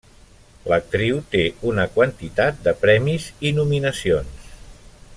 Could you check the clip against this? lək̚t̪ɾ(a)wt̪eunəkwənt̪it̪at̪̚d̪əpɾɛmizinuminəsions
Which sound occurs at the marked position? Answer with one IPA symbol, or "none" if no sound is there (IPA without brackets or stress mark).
i